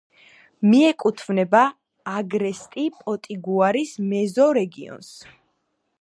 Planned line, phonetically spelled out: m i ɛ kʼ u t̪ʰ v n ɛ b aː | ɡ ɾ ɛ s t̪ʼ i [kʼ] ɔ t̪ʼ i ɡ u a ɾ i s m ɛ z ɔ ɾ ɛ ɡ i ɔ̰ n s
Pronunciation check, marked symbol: incorrect: pʼ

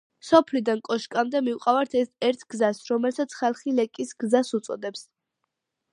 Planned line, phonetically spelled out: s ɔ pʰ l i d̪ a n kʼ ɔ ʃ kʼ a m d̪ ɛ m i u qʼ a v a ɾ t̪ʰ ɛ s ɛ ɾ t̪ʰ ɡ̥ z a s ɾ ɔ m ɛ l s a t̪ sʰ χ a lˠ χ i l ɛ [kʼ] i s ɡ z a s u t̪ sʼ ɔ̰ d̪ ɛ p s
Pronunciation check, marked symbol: correct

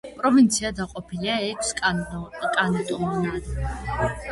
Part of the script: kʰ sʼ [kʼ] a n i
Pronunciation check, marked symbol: correct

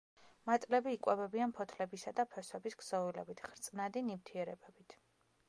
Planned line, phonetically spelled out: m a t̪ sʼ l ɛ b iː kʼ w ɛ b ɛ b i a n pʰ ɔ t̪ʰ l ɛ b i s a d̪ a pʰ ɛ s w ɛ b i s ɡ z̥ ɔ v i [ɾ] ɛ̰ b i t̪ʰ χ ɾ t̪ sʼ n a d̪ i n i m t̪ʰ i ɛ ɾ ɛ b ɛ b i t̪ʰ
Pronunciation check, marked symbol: incorrect: l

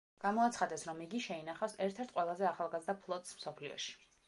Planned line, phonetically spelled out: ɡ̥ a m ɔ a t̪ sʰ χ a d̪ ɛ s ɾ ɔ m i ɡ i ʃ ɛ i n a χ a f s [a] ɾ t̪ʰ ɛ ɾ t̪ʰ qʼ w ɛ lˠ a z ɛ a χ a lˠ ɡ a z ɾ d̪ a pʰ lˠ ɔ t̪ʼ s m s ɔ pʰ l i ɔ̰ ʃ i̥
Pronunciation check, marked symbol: incorrect: ɛ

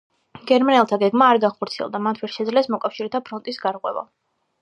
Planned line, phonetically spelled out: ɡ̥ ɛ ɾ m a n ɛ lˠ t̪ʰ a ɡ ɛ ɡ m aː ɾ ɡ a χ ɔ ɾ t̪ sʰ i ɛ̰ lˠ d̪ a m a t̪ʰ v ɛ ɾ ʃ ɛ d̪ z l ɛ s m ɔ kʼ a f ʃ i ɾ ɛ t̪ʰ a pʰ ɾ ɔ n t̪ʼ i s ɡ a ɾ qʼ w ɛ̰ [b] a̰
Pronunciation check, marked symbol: incorrect: v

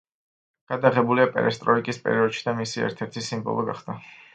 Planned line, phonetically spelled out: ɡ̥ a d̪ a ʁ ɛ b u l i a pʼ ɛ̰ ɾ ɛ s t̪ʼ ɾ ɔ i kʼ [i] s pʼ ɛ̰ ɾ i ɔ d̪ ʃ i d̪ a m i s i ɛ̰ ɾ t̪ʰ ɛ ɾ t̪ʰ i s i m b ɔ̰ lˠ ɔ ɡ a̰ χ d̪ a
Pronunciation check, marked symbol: correct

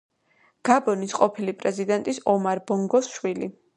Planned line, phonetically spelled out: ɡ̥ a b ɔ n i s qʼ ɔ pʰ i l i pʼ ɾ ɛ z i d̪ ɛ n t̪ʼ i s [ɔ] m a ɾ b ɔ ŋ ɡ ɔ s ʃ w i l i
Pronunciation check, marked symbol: correct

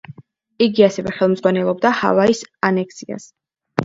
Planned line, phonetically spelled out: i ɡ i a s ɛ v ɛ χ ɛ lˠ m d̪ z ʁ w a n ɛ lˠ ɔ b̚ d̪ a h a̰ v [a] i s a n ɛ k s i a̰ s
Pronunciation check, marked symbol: correct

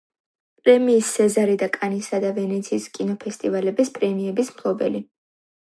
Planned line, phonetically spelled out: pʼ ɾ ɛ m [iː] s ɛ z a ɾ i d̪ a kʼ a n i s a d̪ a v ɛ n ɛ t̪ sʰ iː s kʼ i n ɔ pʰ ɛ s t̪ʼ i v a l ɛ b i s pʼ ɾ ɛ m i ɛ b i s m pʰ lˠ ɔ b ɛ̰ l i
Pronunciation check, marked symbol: correct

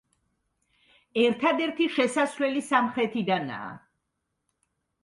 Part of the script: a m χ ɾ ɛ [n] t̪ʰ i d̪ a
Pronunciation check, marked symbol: incorrect: none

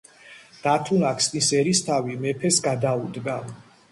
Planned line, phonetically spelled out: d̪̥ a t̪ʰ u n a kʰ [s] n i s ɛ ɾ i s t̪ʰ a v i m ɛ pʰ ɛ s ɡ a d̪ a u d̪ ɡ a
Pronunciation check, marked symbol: correct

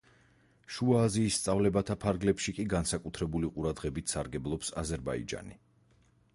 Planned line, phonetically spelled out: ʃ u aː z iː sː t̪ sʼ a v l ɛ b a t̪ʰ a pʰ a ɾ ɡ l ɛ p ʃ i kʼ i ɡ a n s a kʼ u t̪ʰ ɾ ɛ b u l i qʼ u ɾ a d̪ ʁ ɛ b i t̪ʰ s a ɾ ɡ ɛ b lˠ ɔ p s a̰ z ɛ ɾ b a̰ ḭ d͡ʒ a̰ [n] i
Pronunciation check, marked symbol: correct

